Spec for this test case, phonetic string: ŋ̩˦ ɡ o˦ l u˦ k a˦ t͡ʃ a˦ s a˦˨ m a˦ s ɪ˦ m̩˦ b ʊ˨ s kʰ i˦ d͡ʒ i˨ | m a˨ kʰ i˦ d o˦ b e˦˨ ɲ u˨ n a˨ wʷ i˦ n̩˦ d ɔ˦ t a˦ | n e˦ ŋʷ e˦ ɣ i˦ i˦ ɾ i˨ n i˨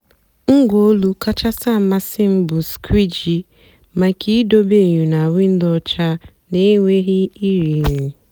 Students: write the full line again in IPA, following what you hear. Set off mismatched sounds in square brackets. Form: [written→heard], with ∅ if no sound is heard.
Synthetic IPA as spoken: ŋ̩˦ ɡ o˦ l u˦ k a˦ t͡ʃ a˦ s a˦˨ m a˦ s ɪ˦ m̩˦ b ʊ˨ s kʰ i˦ d͡ʒ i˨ | m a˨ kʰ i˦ d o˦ b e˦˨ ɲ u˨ n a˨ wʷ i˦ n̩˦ d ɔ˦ [t→t͡ʃ] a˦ | n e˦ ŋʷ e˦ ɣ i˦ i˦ ɾ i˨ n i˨